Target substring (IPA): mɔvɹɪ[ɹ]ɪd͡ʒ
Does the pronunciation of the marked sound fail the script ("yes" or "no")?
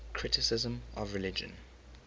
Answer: yes